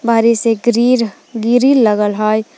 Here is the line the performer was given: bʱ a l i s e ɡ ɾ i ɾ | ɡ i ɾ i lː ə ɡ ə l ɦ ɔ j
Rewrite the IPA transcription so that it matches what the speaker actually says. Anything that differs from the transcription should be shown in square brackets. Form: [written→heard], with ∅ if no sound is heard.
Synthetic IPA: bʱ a [l→ɾ] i s e ɡ ɾ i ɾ | ɡ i ɾ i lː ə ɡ ə l ɦ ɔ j